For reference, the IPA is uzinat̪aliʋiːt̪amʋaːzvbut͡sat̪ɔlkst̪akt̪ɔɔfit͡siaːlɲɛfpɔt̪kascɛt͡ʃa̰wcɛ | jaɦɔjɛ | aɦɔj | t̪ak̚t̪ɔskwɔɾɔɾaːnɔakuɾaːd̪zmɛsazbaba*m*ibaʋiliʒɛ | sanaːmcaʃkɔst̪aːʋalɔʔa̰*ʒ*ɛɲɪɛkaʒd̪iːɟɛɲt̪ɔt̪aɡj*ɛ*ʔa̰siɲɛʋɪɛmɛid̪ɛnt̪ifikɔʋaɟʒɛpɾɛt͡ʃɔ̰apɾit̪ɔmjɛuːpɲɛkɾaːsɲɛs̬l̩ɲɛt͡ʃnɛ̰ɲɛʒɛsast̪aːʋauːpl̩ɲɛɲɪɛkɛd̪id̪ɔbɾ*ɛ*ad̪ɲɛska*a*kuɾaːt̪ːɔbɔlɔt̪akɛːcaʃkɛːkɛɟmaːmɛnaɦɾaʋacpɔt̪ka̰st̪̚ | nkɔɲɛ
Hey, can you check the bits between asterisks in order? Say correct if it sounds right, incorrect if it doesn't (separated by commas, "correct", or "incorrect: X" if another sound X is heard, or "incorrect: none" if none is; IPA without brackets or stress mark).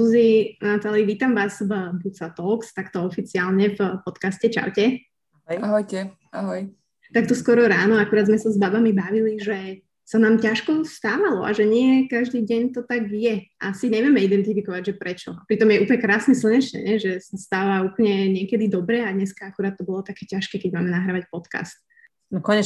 correct, correct, correct, correct, correct